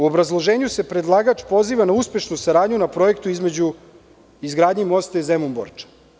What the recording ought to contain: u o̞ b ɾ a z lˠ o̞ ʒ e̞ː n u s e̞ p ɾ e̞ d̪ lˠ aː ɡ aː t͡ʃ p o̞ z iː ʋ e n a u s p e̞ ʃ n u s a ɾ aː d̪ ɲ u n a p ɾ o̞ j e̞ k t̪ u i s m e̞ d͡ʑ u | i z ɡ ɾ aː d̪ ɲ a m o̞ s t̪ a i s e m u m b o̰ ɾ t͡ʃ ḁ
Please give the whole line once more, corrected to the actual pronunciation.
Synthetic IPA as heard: u o̞ b ɾ a z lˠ o̞ ʒ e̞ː ɲ u s e̞ p ɾ e̞ d̪ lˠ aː ɡ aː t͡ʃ p o̞ z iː ʋ a n a u s p e̞ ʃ n u s a ɾ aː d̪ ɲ u n a p ɾ o̞ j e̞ k t̪ u i z m e̞ d͡ʑ u | i z ɡ ɾ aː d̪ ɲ i m o̞ s t̪ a i z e m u m b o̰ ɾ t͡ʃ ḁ